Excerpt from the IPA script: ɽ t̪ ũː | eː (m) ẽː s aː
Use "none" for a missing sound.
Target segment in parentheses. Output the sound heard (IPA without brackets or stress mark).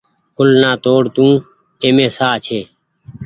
m